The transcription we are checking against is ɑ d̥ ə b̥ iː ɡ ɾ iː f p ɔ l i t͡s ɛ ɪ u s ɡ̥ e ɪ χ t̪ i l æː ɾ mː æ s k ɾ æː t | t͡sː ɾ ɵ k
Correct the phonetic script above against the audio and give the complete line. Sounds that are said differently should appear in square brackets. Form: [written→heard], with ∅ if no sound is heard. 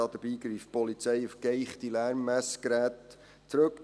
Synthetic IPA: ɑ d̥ ə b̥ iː ɡ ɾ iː f p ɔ l i t͡s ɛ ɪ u [s→f] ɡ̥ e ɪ χ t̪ i l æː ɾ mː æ s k ɾ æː t | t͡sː ɾ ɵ k